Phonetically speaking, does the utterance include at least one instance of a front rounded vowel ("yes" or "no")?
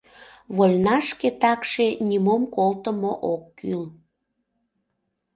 yes